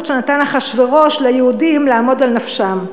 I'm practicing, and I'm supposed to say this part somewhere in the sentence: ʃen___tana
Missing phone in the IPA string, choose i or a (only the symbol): a